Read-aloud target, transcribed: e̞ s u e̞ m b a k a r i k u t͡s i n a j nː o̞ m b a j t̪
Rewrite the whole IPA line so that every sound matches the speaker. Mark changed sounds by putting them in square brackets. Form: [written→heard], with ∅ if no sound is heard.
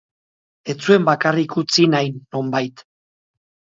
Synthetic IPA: e̞ [s→t͡s] u e̞ m b a k a r i k u t͡s i n a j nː o̞ m b a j t̪